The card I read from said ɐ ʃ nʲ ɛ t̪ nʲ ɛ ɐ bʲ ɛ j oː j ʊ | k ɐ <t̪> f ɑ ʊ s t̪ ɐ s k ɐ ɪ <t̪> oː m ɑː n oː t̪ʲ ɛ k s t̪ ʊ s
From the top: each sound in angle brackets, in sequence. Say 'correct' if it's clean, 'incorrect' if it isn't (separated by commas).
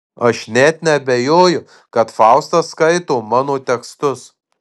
correct, correct